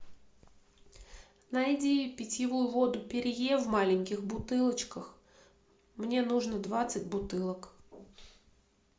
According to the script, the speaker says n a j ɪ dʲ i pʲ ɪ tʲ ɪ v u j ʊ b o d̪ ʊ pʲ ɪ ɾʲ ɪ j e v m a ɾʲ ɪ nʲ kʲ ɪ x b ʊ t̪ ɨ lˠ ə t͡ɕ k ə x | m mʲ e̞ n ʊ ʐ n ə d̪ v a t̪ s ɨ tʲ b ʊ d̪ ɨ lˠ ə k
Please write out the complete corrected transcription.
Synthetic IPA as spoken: n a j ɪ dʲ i pʲ ɪ tʲ ɪ v u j ʊ v o d̪ ʊ pʲ ɪ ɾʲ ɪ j e v m a lʲ ɪ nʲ kʲ ɪ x b ʊ t̪ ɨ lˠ ə t͡ɕ k ə x | m nʲ e̞ n u ʐ n ə d̪ v a t̪ s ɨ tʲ b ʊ t̪ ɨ lˠ ə k